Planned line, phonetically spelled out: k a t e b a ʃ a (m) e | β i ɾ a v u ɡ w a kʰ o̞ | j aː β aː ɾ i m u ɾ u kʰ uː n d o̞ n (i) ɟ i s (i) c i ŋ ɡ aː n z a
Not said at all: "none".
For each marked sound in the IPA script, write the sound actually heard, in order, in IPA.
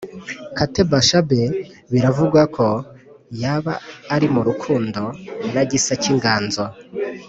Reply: b, a, a

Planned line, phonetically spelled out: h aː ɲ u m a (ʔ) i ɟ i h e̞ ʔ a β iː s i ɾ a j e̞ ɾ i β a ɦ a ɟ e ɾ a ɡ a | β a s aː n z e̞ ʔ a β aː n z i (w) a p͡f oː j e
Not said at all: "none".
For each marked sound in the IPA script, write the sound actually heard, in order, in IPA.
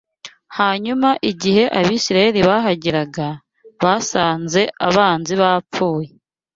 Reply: ʔ, β

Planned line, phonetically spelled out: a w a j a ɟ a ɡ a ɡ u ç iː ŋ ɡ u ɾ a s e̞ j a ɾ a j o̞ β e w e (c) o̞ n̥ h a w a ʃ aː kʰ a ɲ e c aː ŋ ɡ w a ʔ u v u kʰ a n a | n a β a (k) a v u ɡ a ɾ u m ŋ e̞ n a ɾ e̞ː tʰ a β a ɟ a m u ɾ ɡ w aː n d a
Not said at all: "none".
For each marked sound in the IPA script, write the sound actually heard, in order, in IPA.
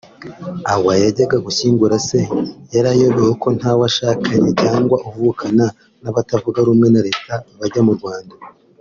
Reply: k, t

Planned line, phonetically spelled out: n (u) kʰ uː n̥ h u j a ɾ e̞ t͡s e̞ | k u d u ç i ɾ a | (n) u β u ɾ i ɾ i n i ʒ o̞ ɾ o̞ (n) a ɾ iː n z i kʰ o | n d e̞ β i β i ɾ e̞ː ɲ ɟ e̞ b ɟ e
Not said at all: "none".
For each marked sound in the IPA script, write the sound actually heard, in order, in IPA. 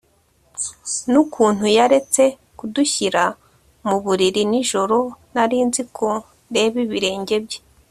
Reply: u, m, n

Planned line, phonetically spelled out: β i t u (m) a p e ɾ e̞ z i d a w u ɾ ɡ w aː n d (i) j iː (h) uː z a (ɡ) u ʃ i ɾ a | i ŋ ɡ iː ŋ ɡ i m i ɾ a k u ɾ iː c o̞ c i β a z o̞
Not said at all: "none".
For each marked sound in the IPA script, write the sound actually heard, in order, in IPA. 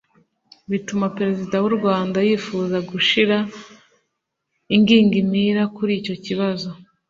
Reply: m, a, f, ɡ

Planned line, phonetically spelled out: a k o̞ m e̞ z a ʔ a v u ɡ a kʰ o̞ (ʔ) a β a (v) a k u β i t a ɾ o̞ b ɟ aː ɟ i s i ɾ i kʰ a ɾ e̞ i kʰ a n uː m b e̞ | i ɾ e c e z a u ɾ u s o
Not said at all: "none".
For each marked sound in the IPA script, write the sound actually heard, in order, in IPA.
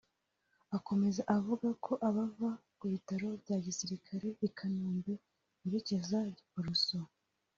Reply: ʔ, v

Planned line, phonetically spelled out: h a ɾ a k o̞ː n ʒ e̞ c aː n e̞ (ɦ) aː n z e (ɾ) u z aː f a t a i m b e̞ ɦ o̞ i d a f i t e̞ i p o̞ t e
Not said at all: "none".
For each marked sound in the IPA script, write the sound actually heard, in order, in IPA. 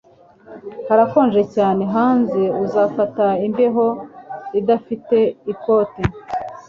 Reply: ɦ, none

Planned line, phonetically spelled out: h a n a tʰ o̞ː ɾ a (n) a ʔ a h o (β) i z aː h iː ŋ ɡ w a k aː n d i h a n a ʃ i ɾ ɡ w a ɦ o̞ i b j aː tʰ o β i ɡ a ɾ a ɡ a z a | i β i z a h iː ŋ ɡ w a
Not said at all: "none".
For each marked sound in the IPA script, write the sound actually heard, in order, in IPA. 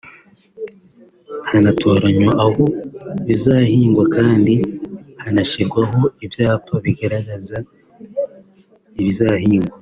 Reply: ɲ, β

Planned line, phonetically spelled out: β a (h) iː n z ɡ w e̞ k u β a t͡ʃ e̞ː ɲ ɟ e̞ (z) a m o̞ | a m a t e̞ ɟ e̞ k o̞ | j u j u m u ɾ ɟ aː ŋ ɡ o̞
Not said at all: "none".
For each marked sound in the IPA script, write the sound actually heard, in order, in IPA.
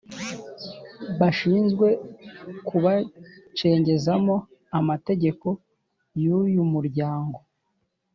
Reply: ʃ, z

